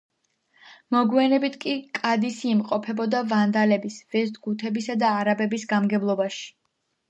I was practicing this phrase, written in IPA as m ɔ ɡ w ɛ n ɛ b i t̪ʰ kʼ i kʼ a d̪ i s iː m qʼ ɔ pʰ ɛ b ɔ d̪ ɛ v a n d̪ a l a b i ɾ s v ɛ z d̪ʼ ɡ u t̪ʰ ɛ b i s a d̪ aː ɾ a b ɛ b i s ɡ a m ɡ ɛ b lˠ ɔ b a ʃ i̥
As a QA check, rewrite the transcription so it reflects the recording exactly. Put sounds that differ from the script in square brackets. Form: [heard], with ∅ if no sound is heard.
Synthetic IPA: m ɔ ɡ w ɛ n ɛ b i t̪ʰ kʼ i kʼ a d̪ i s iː m qʼ ɔ pʰ ɛ b ɔ d̪ [a] v a n d̪ a l [ɛ] b i [∅] s v ɛ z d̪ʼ ɡ u t̪ʰ ɛ b i s a d̪ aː ɾ a b ɛ b i s ɡ a m ɡ ɛ b lˠ ɔ b a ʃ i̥